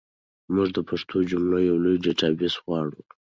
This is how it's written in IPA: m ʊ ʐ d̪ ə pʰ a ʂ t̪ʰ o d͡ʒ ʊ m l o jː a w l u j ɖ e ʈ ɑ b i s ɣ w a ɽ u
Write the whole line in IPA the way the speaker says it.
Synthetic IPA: m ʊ ʐ d̪ ə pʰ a ʂ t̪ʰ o d͡ʒ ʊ m l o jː a w l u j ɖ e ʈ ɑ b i s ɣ w ɑ ɽ u